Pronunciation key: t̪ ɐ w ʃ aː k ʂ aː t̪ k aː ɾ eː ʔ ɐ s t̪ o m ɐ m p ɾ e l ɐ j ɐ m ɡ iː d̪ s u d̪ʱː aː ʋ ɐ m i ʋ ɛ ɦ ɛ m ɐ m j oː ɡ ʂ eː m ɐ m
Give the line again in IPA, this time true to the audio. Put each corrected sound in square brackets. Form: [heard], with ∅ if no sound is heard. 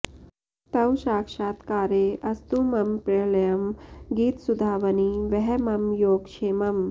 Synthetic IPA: t̪ ɐ w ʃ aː k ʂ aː t̪ k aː ɾ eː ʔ ɐ s t̪ [u] m ɐ m p ɾ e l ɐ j ɐ m ɡ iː [t̪] s u [d̪ʱ] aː ʋ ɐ [n] i ʋ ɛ ɦ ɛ m ɐ m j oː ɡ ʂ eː m ɐ m